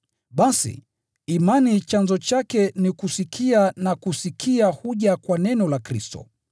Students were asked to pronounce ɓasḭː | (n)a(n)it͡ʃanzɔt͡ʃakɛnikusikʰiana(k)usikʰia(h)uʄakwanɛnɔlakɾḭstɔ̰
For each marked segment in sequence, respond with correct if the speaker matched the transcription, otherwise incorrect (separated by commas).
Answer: incorrect, correct, correct, correct